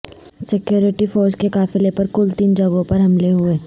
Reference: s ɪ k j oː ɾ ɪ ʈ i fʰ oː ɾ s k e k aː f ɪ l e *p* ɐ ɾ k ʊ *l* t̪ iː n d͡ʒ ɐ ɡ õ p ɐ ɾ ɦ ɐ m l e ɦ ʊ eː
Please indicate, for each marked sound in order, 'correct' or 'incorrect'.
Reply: correct, correct

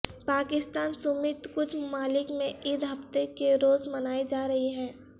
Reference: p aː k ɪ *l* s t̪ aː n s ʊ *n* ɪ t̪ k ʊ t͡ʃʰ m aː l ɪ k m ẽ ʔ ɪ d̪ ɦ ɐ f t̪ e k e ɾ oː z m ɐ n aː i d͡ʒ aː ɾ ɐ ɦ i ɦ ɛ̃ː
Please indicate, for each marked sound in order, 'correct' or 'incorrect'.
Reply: incorrect: none, incorrect: m

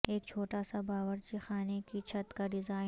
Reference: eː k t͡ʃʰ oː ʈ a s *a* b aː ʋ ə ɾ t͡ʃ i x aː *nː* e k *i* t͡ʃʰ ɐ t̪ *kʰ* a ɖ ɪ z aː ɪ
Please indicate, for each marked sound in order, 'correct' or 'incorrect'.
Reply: correct, incorrect: n, correct, incorrect: k

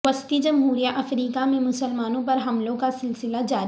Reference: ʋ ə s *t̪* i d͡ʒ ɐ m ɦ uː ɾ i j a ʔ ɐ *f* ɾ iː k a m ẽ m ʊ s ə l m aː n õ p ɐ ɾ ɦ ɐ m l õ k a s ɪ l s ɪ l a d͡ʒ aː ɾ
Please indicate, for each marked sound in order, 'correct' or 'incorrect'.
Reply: correct, correct

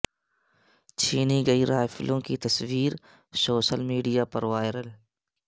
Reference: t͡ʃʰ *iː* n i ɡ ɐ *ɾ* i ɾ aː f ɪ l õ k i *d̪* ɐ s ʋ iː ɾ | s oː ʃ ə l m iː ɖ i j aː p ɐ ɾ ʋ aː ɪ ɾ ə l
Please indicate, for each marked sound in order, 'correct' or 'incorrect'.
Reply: correct, incorrect: none, incorrect: t̪

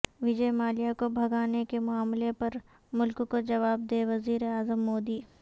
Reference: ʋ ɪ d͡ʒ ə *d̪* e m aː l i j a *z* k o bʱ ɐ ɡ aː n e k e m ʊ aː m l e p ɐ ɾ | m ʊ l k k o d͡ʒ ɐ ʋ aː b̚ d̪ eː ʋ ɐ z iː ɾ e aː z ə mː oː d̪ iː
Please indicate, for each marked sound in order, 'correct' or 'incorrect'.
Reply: incorrect: none, incorrect: none

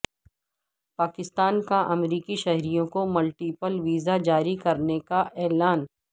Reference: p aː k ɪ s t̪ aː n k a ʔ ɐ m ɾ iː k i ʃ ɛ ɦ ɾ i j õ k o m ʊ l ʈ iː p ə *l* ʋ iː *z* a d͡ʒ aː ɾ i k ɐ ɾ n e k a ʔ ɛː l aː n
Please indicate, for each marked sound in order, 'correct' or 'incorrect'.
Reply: correct, correct

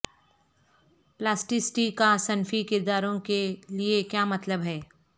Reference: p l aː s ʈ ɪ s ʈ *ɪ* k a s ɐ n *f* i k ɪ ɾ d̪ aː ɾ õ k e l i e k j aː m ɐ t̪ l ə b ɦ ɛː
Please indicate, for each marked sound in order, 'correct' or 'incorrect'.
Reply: incorrect: i, correct

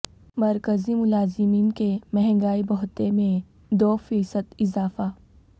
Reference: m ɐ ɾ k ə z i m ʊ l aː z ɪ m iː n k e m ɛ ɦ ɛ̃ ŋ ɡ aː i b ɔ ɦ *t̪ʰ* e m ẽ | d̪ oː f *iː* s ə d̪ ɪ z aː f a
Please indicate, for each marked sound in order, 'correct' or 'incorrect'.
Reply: incorrect: t̪, correct

